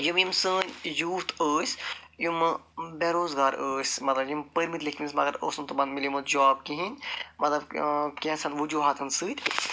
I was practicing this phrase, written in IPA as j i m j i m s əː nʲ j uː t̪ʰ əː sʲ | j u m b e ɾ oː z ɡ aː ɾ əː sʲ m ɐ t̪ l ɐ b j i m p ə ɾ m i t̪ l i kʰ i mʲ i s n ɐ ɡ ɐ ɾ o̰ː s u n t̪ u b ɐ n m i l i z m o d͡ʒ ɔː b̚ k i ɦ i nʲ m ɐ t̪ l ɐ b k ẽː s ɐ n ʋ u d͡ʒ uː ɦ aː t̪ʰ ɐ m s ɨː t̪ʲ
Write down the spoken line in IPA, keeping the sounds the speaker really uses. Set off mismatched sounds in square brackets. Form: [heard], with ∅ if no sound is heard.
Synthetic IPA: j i m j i m s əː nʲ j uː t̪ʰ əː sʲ | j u m b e ɾ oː z ɡ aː ɾ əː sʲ m ɐ t̪ l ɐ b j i m p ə ɾ m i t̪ l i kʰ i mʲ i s [m] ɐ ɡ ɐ ɾ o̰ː s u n t̪ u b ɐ n m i l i [∅] m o d͡ʒ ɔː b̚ k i ɦ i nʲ m ɐ t̪ l ɐ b k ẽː s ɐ n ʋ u d͡ʒ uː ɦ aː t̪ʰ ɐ [n] s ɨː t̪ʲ